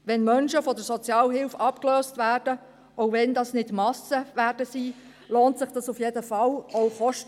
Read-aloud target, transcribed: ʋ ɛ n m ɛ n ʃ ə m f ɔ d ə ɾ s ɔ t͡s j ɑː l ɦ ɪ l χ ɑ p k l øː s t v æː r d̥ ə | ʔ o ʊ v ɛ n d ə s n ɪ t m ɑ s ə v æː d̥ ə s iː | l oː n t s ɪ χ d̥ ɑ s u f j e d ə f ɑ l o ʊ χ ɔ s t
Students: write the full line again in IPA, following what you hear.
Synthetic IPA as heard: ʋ ɛ n m œ n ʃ ə f ɔ d ə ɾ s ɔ t͡s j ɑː l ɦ ɪ l f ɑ p k l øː s t v æː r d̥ ə | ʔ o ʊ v ɛ n d ɑ s n ɪ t m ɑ s ə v æː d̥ ə s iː | l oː n t s ɪ χ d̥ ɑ s u f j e d ə f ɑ l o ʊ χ ɔ ʃ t